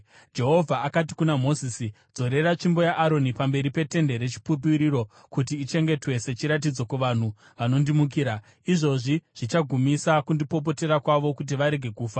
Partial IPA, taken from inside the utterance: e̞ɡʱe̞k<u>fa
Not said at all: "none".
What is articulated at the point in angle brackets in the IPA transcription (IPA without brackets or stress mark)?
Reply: uː